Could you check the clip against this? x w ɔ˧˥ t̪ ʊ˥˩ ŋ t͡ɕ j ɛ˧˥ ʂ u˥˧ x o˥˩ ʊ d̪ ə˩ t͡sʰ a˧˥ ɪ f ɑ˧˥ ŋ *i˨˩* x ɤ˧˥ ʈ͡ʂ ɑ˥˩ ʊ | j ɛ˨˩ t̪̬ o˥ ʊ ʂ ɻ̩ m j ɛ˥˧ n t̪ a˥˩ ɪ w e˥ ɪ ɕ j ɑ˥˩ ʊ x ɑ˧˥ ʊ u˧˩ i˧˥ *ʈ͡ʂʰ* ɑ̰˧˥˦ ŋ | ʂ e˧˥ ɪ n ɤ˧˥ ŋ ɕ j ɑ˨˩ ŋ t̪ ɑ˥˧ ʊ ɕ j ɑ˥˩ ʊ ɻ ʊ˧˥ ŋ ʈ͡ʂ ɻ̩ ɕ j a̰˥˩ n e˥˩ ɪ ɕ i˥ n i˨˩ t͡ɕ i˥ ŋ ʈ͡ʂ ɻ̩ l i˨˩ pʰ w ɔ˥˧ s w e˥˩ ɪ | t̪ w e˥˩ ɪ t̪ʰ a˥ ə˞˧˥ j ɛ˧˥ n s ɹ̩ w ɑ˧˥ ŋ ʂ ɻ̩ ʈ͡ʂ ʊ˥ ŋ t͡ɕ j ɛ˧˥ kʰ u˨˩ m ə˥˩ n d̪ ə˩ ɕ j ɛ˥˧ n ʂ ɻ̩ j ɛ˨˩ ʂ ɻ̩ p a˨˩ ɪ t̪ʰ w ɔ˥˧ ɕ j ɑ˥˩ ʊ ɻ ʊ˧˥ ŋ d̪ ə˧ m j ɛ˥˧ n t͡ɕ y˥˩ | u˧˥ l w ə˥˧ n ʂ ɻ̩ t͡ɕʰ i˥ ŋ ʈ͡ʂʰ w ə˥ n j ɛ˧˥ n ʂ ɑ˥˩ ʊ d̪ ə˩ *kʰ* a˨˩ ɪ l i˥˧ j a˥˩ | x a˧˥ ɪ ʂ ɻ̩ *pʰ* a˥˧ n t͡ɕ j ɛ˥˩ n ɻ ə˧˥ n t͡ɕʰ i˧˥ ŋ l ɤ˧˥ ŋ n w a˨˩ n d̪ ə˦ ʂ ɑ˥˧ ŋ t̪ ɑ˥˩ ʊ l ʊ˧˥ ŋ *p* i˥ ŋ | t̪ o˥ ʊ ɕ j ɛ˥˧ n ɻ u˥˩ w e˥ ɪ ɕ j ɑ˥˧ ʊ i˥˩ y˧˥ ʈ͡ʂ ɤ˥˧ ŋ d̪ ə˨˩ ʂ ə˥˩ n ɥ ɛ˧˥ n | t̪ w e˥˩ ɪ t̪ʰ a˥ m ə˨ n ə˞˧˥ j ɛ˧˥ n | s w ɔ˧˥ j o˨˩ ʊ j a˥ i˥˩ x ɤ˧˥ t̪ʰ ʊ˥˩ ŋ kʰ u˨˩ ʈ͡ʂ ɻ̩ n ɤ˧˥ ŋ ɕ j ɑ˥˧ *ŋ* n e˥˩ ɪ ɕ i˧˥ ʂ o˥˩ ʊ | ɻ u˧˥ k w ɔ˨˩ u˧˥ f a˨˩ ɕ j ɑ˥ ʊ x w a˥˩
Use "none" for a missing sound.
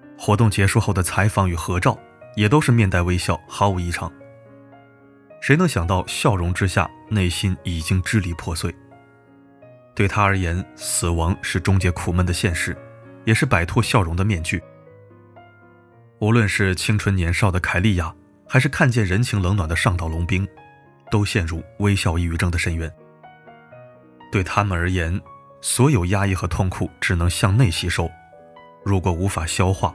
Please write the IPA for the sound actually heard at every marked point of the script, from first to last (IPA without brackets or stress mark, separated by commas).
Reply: y˨˩, ʈ͡ʂʰ, kʰ, kʰ, p, ŋ